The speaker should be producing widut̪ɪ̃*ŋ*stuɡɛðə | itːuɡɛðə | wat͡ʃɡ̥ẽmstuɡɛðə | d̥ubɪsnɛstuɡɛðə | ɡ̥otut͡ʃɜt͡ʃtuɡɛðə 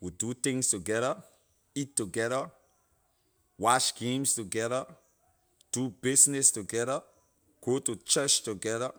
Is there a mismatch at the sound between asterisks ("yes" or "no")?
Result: no